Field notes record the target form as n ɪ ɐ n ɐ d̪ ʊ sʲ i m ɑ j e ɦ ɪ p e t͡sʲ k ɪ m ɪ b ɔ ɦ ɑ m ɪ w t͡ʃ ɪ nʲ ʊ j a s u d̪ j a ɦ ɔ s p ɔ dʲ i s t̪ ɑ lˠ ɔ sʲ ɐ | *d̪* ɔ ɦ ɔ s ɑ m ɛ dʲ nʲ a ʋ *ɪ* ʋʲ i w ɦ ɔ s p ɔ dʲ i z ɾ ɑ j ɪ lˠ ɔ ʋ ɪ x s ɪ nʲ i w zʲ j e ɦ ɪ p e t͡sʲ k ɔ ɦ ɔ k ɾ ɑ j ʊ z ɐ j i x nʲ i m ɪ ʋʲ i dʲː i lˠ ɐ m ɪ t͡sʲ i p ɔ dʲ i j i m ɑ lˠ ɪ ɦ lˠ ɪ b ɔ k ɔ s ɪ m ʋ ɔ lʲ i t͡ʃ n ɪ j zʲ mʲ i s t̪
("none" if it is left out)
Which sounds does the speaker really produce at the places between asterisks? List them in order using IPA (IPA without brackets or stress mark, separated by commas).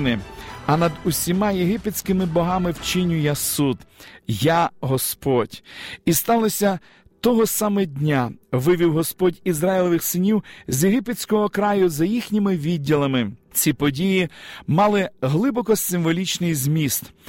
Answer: t̪, ɪ